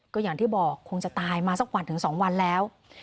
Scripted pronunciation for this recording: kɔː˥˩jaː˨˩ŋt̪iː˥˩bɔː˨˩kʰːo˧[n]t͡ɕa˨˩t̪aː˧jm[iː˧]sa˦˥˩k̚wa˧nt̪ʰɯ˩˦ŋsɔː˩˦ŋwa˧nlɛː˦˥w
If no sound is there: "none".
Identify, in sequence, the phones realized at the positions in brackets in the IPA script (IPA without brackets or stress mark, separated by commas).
ŋ, aː˧